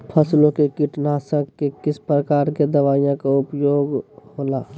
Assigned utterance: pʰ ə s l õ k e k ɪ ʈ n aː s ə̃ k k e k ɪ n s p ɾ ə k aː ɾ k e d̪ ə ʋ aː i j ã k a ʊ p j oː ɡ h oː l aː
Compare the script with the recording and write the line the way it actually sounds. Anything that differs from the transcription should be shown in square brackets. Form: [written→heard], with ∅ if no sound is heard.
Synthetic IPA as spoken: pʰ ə s l õ k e k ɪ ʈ n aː s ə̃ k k e k ɪ [n→∅] s p ɾ ə k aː ɾ k e d̪ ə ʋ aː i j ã k a ʊ p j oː ɡ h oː l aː